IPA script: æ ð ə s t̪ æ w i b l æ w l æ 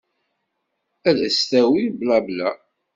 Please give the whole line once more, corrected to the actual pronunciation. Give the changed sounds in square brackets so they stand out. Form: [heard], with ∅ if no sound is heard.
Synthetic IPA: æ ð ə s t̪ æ w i b l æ [b] l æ